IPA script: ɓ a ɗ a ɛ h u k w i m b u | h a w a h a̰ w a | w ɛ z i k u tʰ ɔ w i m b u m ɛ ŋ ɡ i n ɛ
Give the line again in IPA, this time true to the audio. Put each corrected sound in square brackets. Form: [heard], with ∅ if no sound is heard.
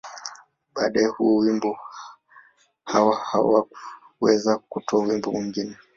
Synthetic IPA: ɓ a ɗ a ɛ h u [∅] w i m b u | h a w a h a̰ w a | w ɛ z [a] k u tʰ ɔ w i m b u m [i] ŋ ɡ i n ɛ